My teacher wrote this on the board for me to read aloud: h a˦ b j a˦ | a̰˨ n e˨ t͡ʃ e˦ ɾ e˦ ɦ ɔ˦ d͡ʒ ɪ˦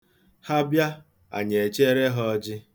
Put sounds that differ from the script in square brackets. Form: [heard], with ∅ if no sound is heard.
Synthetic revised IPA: h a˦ b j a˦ | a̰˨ [ɲ] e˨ t͡ʃ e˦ ɾ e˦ ɦ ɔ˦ d͡ʒ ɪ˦